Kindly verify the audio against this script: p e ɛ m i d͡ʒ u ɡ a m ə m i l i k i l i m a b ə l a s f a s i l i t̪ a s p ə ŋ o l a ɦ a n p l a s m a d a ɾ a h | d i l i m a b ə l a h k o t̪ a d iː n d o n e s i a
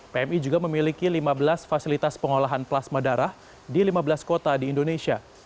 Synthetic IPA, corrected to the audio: p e ɛ m i d͡ʒ u ɡ a m ə m i l i k i l i m a b ə l a s f a s i l i t̪ a s p ə ŋ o l a ɦ a n p l a s m a d a ɾ a h | d i l i m a b ə l a s k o t̪ a d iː n d o n e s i a